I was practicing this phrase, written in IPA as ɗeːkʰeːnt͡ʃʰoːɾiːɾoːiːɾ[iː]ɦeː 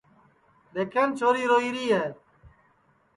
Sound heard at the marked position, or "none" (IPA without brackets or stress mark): iː